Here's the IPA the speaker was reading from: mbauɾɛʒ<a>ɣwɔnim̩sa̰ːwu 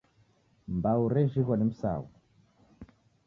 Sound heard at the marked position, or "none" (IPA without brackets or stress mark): i